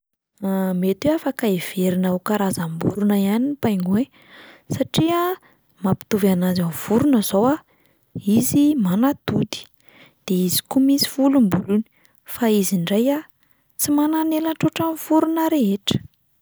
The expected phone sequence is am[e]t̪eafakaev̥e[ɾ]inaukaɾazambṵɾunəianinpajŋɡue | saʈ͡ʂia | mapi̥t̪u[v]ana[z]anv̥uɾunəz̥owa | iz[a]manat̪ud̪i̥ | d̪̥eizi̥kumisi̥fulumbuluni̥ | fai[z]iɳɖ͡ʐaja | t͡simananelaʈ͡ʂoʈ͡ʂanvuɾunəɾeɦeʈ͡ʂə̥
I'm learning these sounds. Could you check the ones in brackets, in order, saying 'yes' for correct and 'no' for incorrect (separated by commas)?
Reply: yes, yes, yes, yes, no, yes